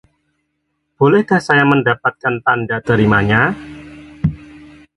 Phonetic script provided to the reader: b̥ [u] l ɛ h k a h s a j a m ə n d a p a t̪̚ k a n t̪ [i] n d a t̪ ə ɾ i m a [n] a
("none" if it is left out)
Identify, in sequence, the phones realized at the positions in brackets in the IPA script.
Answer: o, a, ɲ

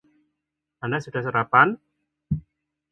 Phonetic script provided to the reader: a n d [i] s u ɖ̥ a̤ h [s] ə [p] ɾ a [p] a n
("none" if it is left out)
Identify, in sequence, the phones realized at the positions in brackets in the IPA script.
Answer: a, s, none, p

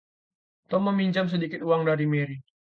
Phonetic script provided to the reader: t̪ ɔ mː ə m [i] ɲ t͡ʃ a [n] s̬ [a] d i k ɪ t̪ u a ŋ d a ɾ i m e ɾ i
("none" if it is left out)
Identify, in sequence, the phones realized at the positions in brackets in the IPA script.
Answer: i, m, ə

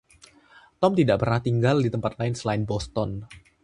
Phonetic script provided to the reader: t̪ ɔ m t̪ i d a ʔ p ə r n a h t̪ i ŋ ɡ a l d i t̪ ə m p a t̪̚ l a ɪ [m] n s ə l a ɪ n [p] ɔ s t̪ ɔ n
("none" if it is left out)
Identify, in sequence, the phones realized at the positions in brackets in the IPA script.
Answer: none, b

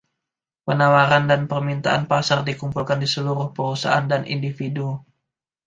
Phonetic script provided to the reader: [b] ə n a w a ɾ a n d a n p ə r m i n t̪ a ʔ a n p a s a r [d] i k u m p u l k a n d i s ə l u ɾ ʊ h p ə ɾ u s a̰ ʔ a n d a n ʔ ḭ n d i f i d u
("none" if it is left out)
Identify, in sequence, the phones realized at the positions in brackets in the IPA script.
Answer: p, d

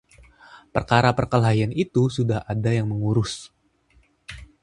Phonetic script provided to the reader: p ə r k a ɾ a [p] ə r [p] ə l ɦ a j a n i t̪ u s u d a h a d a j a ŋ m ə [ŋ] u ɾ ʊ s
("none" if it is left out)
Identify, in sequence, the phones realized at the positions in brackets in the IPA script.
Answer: p, k, ŋ

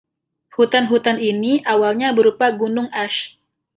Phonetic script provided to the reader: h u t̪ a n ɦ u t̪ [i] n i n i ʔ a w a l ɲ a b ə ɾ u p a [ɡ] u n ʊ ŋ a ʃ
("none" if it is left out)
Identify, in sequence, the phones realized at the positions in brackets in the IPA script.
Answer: a, ɡ

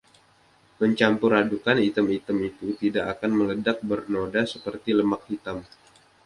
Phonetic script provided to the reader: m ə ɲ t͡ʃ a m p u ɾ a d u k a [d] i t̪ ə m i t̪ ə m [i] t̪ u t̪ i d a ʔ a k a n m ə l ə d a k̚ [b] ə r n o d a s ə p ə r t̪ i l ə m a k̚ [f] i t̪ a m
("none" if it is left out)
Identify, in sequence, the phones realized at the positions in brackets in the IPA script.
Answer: n, i, b, h

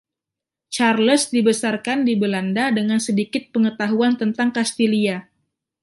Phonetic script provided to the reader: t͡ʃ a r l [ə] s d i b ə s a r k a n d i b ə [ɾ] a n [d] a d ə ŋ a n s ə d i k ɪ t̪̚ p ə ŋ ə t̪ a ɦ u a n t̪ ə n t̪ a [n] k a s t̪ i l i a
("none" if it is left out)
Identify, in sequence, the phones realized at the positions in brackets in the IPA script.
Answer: ə, l, d, ŋ

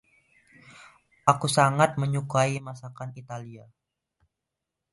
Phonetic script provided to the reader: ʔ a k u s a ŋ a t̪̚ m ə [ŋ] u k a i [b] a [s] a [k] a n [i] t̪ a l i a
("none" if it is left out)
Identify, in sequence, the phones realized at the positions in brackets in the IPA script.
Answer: ɲ, m, s, k, i

